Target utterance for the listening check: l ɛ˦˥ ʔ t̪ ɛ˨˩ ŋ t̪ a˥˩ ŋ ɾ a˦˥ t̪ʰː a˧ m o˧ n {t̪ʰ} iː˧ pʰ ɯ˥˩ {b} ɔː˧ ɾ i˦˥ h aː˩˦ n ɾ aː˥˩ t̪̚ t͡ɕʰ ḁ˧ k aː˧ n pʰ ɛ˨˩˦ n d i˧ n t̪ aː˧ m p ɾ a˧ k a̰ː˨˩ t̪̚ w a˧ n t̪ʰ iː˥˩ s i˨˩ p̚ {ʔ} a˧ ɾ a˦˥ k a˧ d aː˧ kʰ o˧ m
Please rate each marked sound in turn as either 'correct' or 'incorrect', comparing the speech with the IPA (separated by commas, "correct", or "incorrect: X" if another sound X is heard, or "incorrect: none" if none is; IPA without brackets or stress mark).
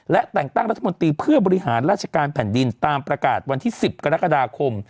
incorrect: t̪, correct, incorrect: k